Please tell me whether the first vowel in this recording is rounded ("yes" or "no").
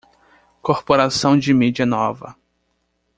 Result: yes